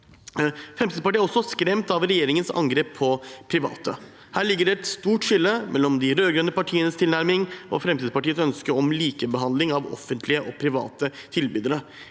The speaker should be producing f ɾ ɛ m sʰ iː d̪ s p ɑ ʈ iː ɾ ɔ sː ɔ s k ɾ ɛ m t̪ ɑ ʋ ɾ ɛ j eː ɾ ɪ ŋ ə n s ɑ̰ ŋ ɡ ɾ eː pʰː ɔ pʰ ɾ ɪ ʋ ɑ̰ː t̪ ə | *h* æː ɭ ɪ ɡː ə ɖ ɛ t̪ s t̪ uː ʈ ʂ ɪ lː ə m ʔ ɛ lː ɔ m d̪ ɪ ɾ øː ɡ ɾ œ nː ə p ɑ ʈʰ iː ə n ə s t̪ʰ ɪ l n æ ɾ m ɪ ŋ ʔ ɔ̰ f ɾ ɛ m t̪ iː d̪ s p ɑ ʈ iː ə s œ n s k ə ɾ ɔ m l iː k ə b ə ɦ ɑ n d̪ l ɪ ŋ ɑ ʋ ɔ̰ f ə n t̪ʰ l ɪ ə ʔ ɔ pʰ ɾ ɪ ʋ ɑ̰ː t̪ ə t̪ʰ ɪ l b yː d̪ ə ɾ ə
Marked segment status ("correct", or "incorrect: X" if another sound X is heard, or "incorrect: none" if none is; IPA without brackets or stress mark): correct